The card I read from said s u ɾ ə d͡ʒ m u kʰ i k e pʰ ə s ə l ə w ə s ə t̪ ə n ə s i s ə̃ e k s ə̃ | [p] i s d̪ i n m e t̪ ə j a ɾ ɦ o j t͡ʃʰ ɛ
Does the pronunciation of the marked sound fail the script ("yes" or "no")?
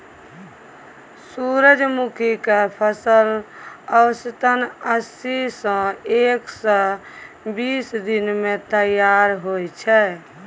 yes